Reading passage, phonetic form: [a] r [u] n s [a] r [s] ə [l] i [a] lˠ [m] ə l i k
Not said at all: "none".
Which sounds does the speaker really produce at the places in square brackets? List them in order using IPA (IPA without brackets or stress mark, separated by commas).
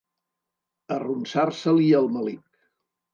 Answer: ə, u, a, s, l, ə, m